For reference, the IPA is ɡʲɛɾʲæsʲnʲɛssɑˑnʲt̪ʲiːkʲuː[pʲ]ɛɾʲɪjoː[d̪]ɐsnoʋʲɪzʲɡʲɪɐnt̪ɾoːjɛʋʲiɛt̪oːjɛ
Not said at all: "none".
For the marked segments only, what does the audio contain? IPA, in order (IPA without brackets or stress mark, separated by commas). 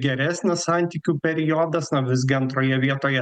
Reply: pʲ, d̪